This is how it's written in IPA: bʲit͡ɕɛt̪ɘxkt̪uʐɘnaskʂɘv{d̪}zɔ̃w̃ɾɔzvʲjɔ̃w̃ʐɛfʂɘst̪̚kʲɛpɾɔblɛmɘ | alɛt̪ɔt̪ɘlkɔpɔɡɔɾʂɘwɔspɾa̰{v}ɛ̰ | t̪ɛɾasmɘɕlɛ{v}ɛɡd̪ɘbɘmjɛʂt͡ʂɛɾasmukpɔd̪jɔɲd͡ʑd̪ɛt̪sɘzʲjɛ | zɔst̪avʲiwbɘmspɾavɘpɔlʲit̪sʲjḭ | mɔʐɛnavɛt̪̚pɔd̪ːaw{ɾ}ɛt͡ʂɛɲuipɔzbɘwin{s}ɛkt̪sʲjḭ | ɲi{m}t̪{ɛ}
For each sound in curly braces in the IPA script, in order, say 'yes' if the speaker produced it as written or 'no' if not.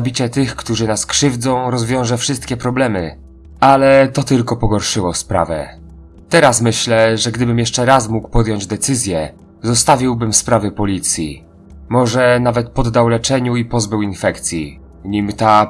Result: yes, yes, no, no, no, yes, no

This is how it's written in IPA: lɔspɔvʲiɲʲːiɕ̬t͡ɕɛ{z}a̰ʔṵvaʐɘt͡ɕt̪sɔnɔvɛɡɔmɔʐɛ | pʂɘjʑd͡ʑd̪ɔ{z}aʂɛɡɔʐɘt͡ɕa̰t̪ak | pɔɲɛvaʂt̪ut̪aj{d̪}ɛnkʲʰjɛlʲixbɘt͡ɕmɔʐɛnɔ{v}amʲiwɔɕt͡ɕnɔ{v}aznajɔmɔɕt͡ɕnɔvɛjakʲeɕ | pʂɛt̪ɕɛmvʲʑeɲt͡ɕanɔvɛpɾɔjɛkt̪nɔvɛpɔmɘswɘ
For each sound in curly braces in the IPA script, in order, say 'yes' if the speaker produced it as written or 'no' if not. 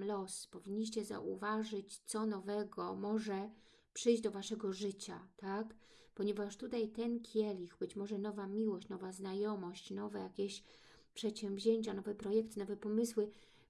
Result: yes, no, no, yes, yes

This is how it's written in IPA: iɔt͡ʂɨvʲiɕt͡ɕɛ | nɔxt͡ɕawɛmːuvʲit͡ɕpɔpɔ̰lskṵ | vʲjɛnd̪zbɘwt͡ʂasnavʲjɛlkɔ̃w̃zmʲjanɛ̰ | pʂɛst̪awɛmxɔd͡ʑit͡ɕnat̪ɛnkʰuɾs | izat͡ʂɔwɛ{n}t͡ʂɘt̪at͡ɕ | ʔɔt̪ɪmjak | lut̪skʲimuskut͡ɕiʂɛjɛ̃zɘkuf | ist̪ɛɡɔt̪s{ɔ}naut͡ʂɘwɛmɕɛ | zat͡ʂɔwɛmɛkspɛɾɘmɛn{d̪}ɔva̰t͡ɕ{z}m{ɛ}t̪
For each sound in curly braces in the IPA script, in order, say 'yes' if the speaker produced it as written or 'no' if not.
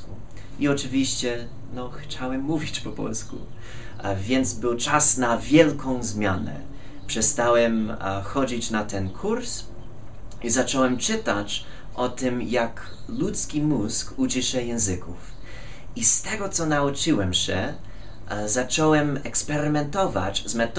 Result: no, yes, no, yes, yes

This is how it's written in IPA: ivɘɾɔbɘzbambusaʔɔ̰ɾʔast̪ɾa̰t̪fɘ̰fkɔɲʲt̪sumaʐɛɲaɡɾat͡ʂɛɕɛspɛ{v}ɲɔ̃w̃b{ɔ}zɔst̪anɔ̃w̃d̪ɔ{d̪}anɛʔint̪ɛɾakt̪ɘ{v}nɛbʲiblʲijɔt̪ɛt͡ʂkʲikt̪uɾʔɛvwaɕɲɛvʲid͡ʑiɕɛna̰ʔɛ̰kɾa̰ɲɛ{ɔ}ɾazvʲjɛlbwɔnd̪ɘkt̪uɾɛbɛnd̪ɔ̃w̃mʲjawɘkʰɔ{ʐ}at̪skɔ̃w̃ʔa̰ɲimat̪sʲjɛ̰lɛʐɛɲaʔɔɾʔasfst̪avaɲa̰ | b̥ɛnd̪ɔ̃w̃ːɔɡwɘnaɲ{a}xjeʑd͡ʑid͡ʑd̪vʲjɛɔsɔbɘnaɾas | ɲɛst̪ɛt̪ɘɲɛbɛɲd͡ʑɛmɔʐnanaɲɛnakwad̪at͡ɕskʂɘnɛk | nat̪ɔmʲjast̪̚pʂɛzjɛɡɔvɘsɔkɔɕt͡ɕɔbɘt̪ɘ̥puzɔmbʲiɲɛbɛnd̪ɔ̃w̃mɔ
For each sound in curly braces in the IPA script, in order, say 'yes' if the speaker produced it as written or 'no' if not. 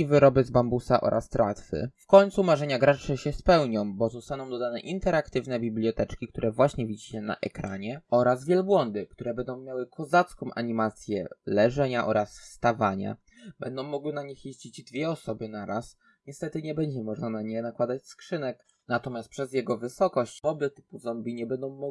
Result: no, yes, yes, yes, yes, no, no

